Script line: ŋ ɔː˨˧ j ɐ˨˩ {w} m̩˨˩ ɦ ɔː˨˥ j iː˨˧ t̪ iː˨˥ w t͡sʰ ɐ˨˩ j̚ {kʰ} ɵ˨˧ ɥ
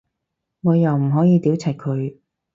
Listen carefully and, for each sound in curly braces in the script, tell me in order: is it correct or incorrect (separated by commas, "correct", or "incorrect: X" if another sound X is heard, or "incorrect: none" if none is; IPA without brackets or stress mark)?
correct, correct